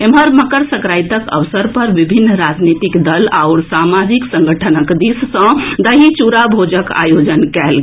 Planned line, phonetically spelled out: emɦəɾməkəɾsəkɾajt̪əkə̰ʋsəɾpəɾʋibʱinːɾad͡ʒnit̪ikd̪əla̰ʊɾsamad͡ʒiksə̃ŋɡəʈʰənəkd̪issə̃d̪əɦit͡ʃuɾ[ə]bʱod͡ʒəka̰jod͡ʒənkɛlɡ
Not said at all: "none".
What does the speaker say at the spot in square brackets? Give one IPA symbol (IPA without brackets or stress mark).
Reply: a